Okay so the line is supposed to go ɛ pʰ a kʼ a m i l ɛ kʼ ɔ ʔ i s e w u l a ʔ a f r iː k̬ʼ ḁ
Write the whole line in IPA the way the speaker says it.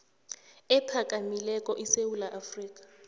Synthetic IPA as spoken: ɛ pʰ a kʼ a m i l ɛ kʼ ɔ ʔ i s e w u l a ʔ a f r iː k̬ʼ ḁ

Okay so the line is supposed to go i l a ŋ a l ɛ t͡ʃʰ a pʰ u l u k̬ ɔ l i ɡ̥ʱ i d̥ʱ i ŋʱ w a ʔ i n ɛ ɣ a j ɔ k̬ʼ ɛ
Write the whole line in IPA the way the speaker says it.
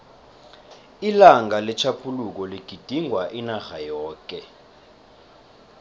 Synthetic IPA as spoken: i l a ŋ a l ɛ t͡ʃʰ a pʰ u l u k̬ ɔ l i ɡ̥ʱ i d̥ʱ i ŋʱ w a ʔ i n a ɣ a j ɔː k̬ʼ ɛ

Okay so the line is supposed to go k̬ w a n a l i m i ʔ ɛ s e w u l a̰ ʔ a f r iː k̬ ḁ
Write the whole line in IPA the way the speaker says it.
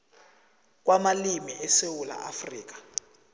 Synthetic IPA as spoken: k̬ w a m a l i m i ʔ ɛ s e w u l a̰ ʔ a f r iː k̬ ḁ

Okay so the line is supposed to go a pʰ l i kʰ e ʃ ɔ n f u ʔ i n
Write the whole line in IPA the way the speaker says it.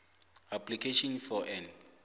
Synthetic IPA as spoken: a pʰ l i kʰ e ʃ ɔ n f ɔ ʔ ɛ n

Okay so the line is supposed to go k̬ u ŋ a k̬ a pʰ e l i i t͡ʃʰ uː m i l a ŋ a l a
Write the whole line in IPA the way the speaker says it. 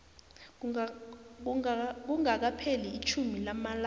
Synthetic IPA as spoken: k̬ u ŋ a k̬ a pʰ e l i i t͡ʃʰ u m i l a m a l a

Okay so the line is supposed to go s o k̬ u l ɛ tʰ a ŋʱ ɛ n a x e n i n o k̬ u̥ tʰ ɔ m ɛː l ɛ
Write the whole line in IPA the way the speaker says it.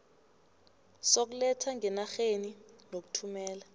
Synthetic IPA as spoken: s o k̬ u l ɛ tʰ a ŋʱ ɛ n a x e n i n o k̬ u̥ tʰ u m ɛː l a

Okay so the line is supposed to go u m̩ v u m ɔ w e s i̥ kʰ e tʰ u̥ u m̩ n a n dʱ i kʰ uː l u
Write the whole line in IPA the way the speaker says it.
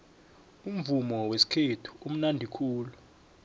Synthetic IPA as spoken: u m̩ v u m ɔ w e s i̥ kʰ e tʰ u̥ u m̩ n a n dʱ i kʰ uː l u

